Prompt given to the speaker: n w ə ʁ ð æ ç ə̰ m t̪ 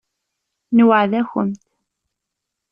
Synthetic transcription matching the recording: n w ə ʕ ð æ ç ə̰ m t̪